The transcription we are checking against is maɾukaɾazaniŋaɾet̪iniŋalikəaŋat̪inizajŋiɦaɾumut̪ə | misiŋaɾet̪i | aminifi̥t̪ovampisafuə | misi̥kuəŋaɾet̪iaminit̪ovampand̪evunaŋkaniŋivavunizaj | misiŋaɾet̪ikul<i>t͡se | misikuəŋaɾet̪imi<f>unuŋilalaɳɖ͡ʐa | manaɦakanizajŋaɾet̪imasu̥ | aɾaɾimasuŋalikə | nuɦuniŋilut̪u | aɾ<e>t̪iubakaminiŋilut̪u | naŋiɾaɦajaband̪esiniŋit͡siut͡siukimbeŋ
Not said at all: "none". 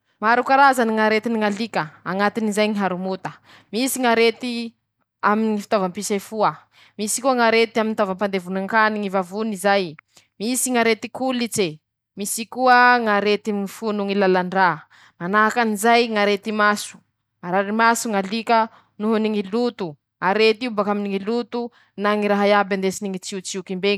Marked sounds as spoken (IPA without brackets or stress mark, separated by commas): i, f, e